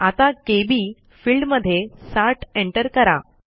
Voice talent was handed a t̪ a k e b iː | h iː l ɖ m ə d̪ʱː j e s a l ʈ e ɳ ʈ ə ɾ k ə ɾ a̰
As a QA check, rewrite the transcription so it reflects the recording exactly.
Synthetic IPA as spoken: a t̪ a k e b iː | f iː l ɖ m ə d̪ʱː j e s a ɾ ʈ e ɳ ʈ ə ɾ k ə ɾ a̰